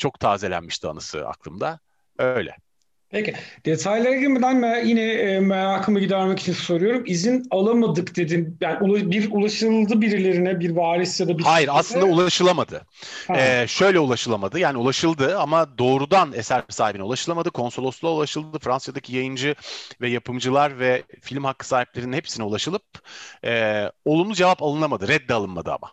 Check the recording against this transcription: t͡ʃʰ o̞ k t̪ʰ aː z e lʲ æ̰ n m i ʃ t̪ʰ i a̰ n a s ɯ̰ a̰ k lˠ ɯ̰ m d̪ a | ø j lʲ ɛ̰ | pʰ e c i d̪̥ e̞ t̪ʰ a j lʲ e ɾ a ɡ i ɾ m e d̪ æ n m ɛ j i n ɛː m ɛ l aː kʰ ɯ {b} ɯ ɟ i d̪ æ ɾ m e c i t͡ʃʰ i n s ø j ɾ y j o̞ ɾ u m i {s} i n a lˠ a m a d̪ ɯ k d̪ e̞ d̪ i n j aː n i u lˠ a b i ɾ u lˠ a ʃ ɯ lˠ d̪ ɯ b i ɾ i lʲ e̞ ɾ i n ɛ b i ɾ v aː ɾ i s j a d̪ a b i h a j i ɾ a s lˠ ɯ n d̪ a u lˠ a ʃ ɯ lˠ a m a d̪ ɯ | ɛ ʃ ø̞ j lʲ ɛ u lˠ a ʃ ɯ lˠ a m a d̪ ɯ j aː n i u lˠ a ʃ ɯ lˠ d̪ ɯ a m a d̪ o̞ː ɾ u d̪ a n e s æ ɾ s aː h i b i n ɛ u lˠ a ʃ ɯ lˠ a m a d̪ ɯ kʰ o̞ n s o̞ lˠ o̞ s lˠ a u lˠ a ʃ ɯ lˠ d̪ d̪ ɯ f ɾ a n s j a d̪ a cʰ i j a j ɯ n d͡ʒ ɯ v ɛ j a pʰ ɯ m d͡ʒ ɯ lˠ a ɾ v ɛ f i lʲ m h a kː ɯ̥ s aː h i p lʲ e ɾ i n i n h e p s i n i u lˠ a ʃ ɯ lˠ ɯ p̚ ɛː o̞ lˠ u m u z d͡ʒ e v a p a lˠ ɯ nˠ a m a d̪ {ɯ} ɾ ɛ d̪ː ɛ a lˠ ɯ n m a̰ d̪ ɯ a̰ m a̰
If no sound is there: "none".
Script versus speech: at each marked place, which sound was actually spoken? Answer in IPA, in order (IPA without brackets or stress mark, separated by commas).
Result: m, z, ɯ